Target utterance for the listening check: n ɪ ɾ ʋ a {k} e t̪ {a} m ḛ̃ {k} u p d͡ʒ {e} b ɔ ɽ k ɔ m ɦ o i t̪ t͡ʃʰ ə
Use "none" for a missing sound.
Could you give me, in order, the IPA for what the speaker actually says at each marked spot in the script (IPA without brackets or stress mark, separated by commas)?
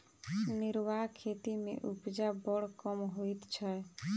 kʰ, i, ʔ, a